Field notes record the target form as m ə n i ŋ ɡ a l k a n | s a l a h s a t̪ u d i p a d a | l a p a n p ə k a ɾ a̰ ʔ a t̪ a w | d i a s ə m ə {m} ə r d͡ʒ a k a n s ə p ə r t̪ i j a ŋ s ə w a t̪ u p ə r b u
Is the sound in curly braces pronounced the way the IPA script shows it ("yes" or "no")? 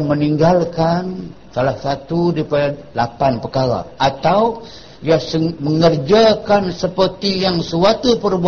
no